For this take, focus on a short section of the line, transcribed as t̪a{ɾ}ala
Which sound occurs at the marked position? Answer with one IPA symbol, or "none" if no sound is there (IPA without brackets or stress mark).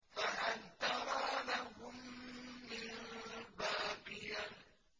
ɾ